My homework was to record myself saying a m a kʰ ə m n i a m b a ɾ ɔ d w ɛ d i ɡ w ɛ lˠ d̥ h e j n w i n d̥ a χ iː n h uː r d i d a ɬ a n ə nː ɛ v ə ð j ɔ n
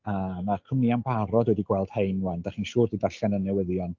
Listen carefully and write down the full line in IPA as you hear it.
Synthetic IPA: a m a kʰ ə m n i a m b a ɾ ɔ d w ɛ d i ɡ w ɛ lˠ d̥ h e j n w a n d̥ a χ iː n ʃ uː r d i d a ɬ a n ə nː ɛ w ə ð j ɔ n